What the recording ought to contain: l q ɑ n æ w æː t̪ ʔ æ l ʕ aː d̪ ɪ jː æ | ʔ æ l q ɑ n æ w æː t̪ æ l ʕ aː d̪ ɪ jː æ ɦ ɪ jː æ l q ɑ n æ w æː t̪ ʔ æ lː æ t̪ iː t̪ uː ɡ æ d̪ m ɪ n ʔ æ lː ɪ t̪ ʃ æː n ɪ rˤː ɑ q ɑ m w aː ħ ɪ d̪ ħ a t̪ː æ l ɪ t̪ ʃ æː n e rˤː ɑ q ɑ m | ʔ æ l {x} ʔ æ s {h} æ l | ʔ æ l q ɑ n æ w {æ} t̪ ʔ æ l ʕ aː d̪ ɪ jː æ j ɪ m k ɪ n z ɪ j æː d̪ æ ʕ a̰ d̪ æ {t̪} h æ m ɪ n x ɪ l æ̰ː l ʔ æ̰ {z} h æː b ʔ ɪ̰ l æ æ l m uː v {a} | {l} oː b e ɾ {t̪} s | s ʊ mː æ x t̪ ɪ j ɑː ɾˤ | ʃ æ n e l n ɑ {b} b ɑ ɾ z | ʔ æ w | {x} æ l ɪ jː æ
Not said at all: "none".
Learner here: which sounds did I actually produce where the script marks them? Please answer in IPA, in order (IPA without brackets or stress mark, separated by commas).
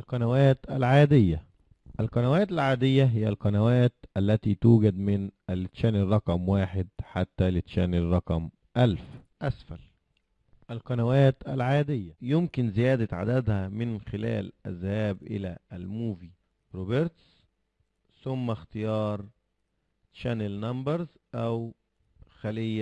f, f, æː, d̪, z, i, ɾ, t̪, m, x